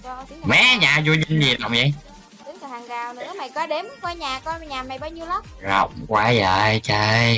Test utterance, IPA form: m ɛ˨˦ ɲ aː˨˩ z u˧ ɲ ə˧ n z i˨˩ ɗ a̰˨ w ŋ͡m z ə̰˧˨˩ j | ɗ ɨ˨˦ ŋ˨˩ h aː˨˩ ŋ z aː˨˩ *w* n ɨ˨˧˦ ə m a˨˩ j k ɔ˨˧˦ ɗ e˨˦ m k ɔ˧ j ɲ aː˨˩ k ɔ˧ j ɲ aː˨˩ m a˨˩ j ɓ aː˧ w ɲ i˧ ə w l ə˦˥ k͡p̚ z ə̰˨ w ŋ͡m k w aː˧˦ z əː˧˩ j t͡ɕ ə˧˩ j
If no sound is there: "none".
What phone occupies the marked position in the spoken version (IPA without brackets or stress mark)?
w